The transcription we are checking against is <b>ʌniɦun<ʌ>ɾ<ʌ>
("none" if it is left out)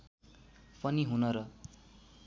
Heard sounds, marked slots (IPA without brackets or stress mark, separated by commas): p, ʌ, ʌ